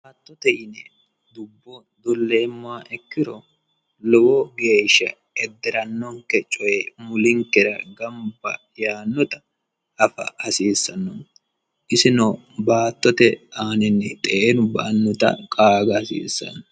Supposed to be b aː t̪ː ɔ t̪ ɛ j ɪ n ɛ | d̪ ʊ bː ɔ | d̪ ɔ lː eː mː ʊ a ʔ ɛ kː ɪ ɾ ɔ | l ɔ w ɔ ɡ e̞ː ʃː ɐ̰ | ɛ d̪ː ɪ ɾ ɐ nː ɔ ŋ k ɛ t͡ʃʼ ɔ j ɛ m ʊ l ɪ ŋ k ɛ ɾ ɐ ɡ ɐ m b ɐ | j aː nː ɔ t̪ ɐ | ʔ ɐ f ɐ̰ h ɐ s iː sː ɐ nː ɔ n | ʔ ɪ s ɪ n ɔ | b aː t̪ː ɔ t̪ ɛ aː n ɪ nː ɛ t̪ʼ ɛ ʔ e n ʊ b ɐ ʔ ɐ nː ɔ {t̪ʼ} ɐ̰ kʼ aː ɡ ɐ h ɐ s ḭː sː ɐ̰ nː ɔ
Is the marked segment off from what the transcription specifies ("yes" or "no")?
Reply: yes